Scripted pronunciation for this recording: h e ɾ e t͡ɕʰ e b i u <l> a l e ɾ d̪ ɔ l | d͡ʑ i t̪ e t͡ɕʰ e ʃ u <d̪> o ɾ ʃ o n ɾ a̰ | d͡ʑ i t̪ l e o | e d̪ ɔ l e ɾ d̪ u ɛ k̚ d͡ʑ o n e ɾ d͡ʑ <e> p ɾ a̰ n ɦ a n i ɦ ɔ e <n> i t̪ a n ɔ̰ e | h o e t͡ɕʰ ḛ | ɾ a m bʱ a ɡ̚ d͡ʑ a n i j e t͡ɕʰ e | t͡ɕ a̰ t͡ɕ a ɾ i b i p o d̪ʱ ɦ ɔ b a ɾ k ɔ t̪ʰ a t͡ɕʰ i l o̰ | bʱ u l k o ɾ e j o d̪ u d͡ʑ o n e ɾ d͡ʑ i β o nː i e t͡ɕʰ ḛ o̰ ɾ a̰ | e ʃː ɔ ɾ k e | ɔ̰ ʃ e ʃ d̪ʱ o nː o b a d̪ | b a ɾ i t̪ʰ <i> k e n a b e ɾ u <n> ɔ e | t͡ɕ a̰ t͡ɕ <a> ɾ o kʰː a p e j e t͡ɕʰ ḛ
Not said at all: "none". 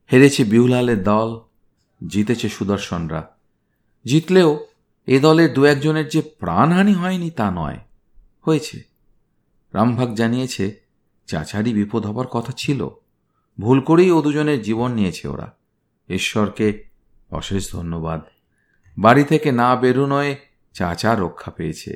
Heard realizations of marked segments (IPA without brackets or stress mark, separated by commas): l, d̪, e, n, e, n, a